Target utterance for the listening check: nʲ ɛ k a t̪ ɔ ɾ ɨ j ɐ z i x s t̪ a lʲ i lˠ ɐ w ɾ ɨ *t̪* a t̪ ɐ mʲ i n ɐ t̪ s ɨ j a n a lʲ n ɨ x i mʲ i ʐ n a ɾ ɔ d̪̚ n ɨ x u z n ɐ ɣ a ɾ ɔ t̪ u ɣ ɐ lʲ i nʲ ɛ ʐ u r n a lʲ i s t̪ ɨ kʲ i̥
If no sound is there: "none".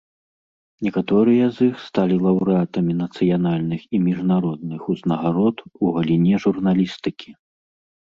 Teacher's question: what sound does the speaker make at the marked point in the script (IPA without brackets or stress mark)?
none